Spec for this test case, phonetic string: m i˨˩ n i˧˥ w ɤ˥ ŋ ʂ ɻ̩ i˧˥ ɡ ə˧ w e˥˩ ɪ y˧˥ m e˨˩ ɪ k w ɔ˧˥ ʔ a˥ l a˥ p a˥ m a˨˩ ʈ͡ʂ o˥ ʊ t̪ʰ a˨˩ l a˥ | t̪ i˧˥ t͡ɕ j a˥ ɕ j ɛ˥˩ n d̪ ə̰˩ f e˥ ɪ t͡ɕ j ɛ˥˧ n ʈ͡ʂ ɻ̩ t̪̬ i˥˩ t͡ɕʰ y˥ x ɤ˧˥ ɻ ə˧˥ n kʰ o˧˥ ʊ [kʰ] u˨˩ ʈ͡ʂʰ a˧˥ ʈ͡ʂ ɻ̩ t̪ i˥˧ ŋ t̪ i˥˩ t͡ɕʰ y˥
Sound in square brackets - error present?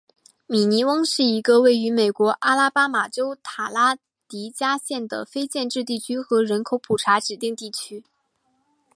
yes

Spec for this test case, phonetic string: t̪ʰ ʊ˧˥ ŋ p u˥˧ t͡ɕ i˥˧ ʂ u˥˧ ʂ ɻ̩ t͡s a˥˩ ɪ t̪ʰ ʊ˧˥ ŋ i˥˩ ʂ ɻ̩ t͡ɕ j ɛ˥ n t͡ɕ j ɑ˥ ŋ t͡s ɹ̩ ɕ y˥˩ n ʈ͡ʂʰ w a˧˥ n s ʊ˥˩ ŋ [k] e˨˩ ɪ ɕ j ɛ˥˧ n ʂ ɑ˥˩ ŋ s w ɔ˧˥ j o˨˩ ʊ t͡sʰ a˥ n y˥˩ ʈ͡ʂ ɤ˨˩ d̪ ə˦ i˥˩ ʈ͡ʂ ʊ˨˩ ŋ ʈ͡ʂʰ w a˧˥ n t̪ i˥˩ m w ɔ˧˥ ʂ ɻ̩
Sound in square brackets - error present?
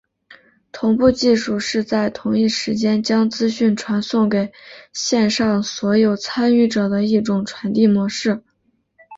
no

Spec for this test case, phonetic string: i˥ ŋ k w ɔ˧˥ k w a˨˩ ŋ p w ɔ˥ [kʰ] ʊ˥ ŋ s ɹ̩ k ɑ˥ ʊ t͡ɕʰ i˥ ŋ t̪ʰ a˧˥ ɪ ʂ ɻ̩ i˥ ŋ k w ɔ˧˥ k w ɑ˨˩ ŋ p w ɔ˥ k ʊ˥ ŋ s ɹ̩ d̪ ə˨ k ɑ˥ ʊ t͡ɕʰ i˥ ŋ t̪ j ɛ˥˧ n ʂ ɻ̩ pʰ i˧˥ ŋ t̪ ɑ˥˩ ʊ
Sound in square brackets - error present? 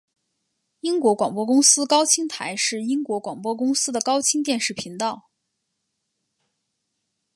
yes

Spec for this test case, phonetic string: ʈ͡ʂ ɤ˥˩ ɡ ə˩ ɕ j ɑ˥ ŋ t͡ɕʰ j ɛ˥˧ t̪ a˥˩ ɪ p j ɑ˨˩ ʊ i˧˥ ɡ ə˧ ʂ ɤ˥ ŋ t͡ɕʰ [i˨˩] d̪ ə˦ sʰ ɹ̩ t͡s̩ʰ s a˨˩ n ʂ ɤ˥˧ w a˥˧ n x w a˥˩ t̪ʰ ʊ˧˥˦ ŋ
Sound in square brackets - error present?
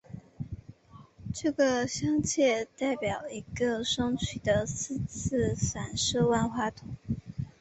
yes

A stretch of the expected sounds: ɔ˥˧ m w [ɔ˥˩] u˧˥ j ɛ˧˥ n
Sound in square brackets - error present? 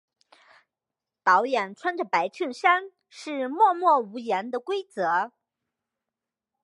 no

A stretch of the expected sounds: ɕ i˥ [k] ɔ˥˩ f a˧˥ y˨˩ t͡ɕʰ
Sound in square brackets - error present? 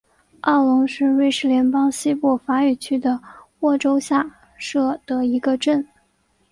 yes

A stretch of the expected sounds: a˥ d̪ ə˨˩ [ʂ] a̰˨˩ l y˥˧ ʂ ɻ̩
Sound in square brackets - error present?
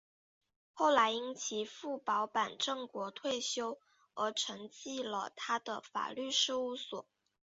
yes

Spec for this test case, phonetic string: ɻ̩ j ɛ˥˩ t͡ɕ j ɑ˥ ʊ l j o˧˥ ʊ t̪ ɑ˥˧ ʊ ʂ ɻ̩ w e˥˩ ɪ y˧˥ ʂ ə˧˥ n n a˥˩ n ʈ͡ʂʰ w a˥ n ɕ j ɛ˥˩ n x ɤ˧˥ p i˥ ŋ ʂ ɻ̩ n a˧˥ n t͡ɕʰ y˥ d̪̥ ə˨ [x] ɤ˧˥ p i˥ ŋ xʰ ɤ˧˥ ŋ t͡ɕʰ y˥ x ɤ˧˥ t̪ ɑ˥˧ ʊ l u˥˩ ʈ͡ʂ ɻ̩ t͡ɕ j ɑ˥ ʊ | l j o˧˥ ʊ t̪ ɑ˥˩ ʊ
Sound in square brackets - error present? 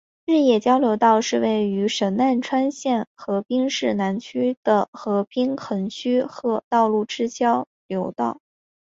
no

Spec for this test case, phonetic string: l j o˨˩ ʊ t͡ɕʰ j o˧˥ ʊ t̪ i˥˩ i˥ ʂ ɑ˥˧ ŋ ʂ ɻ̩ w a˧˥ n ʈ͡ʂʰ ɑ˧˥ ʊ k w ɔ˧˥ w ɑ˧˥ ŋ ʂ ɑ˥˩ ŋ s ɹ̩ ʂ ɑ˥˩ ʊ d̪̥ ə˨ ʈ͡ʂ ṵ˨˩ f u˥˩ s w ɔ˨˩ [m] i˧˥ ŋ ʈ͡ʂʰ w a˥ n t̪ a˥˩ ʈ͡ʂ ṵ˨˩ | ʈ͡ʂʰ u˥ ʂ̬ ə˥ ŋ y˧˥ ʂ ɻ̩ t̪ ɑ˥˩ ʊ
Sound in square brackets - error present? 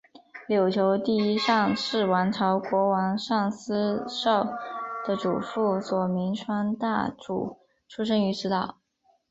no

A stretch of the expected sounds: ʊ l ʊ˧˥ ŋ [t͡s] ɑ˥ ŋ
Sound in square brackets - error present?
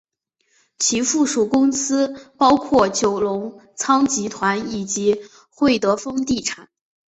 yes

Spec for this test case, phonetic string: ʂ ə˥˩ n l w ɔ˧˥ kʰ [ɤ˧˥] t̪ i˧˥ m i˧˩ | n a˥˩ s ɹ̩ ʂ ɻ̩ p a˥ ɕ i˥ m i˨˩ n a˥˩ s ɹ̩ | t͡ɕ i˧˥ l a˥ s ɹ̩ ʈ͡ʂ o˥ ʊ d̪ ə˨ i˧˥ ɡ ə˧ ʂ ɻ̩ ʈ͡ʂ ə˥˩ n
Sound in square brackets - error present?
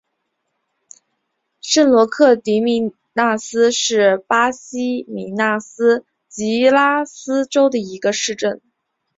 yes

